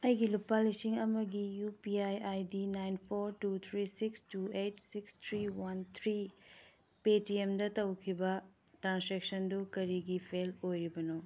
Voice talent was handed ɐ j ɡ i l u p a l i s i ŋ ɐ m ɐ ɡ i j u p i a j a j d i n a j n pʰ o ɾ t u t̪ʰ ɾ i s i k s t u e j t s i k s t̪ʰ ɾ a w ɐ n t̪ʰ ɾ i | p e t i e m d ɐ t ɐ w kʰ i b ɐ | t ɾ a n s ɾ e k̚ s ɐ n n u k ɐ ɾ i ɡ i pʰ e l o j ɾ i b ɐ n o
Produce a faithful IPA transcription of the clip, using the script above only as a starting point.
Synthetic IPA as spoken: ɐ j ɡ i l u p a l i s i ŋ ɐ m ɐ ɡ i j u p i a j a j d i n a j n pʰ o ɾ t u t̪ʰ ɾ i s i k s t u e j t s i k s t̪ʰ ɾ i w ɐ n t̪ʰ ɾ i | p e t i e m d ɐ t ɐ w kʰ i b ɐ | t ɾ a n s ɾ e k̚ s ɐ n d u k ɐ ɾ i ɡ i pʰ e l o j ɾ i b ɐ n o